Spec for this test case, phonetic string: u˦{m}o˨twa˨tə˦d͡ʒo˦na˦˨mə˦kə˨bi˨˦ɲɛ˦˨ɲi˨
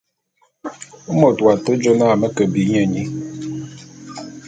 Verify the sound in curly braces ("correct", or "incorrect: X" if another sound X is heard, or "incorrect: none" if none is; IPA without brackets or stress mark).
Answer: correct